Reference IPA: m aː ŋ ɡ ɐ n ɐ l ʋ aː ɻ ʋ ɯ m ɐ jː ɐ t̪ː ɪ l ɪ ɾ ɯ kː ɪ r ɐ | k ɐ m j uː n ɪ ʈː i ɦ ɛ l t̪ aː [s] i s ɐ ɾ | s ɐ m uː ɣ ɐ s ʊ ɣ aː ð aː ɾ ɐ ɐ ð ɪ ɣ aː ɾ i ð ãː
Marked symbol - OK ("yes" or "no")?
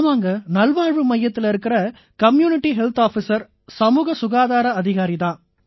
no